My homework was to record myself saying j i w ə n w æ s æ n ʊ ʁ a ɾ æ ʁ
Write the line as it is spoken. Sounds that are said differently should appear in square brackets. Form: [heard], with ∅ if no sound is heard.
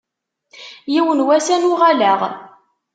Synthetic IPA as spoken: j i w ə n w æ s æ n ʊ ʁ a [l] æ ʁ